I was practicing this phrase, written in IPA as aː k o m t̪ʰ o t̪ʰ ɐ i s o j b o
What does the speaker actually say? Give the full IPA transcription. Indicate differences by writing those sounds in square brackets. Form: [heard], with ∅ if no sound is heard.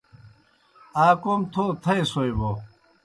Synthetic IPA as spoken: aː k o m t̪ʰ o t̪ʰ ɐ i s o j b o